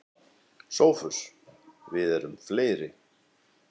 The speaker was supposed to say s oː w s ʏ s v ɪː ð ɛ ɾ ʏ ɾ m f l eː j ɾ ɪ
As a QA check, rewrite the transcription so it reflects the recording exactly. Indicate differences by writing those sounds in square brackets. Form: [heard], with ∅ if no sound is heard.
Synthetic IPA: s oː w [f] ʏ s v [ɪ] ð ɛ ɾ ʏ [∅] m f l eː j ɾ ɪ